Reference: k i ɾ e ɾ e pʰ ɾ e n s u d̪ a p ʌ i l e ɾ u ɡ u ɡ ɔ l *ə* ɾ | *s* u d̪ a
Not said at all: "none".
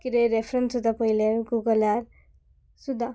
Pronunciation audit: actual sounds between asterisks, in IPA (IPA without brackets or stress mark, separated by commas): a, s